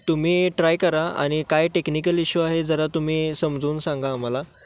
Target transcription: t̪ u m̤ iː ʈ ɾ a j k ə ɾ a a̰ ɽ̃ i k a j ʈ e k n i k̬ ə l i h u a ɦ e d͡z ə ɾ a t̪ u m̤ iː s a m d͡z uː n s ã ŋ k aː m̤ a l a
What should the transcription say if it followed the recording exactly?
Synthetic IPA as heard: t̪ u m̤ iː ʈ ɾ a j k ə ɾ a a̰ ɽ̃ i k a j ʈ e k n i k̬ ə l i ɕ u a ɦ e d͡z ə ɾ a t̪ u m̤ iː s ə m d͡z uː n s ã ŋ ɡ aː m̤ a l a